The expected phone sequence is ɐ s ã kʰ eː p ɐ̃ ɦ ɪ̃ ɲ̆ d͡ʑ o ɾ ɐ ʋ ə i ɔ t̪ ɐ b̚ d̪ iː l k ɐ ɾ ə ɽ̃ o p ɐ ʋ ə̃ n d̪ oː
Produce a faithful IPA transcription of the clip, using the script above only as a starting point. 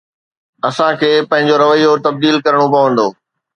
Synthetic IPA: ɐ s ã kʰ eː p ɐ̃ ɦ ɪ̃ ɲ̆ d͡ʑ o ɾ ɐ ʋ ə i o t̪ ɐ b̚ d̪ iː l k ɐ ɾ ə ɽ̃ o p ɐ ʋ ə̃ n d̪ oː